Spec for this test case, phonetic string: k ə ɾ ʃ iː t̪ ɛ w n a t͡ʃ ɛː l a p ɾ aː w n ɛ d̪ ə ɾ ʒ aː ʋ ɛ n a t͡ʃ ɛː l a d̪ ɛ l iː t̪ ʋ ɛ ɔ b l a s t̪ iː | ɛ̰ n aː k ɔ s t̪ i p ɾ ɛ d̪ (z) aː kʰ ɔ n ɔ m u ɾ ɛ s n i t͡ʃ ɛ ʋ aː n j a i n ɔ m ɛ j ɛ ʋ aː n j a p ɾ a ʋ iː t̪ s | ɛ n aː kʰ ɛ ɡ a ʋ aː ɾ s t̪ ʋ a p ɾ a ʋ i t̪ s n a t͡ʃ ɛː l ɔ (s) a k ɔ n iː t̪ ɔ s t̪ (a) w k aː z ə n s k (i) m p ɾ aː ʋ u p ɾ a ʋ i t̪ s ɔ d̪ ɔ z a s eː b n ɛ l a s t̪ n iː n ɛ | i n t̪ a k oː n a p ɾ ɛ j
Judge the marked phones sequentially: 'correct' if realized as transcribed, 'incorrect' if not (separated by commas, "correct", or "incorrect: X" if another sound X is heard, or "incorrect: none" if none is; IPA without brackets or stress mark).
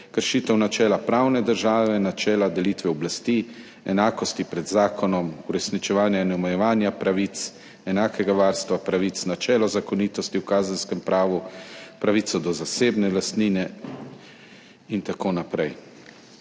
correct, incorrect: z, incorrect: i, incorrect: ɛ